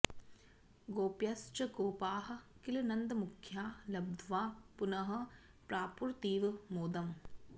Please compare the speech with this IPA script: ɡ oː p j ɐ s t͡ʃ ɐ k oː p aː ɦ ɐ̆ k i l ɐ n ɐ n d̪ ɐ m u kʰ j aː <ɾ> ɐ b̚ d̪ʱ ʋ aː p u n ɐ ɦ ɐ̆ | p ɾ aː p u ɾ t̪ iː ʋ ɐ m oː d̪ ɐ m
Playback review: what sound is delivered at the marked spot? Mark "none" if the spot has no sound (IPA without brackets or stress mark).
l